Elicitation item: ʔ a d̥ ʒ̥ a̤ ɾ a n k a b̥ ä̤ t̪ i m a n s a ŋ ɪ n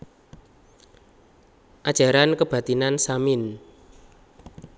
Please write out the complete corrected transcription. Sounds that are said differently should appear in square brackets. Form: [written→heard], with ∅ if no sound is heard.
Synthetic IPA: ʔ a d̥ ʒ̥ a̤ ɾ a n k [a→ə] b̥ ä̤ t̪ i [m→n] a n s a [ŋ→m] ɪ n